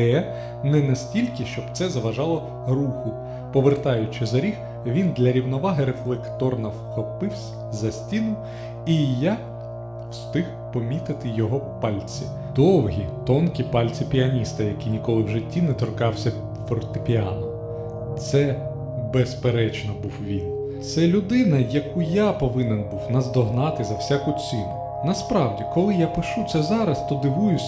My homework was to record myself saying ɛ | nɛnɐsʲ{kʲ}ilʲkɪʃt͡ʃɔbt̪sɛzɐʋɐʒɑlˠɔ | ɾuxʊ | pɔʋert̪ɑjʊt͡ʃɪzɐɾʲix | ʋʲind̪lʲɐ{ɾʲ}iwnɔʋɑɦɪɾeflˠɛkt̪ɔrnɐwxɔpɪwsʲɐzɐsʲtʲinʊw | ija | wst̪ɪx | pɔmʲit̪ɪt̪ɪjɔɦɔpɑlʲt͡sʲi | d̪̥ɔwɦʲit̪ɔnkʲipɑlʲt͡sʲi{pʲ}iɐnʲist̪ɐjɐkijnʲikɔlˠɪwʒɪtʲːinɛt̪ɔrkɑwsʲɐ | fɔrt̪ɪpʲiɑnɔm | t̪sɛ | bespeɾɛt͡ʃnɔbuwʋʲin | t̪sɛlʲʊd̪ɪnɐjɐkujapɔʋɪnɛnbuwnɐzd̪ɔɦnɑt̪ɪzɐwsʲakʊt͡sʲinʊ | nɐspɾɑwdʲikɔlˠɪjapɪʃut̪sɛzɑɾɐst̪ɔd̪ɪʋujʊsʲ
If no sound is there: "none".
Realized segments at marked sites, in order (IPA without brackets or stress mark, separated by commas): tʲ, ɾʲ, pʲ